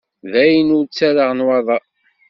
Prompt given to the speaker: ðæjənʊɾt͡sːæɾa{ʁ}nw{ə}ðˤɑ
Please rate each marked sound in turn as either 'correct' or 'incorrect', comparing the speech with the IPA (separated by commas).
correct, incorrect